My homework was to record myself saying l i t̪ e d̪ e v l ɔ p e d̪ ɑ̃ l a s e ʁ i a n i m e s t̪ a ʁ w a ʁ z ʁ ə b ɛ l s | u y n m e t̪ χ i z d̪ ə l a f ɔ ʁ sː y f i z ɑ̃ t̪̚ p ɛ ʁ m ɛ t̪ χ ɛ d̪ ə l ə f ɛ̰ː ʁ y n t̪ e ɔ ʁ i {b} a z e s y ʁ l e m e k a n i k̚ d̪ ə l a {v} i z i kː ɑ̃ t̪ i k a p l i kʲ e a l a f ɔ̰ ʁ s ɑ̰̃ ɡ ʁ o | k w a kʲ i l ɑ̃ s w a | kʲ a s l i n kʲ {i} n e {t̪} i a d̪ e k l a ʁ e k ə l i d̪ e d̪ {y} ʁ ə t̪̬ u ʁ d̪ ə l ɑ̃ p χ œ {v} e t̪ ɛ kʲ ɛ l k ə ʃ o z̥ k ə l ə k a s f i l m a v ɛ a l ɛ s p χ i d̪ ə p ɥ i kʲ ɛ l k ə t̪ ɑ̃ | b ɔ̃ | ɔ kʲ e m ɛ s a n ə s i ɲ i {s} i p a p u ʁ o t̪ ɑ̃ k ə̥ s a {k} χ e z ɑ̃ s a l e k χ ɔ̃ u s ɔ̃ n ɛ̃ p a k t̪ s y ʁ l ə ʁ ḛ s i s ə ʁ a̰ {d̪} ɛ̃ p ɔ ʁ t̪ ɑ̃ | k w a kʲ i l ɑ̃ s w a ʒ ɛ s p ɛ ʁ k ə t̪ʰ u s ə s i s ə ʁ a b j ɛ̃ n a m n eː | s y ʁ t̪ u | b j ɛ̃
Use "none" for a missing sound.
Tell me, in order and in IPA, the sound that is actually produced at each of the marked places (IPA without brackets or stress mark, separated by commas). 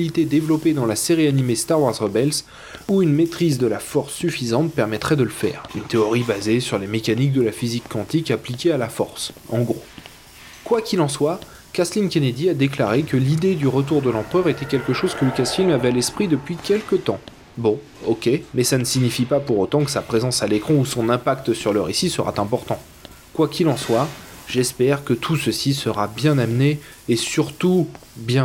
b, f, e, d̪, y, ʁ, f, p, t̪